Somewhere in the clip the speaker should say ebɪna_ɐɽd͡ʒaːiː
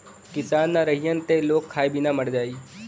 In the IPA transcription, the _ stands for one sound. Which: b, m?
m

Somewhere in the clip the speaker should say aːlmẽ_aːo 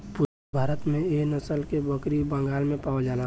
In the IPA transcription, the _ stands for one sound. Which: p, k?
p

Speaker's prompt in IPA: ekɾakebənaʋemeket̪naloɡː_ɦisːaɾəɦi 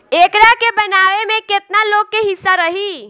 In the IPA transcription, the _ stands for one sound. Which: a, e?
e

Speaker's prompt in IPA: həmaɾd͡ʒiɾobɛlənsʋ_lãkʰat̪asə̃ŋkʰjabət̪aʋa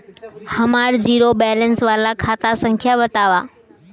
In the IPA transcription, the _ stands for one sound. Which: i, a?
a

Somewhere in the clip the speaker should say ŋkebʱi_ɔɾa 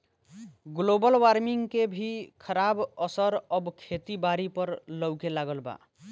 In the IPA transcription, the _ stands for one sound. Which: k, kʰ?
kʰ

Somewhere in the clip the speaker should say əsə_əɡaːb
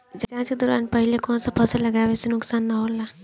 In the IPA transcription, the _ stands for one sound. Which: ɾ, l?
l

